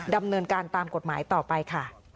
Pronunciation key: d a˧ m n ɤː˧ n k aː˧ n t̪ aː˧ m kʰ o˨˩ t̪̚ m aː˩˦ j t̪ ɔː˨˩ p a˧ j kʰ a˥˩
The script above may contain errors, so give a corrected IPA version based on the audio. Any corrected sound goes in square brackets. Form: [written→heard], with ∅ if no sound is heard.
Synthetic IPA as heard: d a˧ m n ɤː˧ n k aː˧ n t̪ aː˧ m [kʰ→k] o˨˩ t̪̚ m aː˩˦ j t̪ ɔː˨˩ p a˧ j kʰ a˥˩